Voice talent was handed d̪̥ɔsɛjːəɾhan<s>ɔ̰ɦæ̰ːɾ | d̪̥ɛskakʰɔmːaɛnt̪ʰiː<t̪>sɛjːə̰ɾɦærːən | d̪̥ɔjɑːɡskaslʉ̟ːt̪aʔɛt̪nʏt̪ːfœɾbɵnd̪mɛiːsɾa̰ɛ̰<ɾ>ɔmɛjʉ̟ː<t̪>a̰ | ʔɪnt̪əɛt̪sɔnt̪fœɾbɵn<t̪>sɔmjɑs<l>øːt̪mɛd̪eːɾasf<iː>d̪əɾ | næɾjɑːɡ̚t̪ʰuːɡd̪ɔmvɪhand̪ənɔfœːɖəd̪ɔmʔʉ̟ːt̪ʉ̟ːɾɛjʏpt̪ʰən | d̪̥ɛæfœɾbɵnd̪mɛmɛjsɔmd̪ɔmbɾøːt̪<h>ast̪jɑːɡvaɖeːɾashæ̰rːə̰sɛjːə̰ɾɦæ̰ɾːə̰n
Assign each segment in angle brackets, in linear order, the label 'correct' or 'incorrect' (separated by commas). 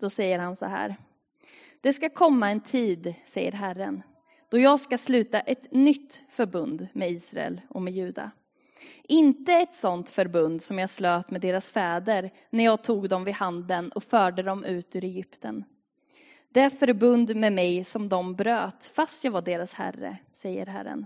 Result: correct, incorrect, incorrect, incorrect, incorrect, correct, incorrect, incorrect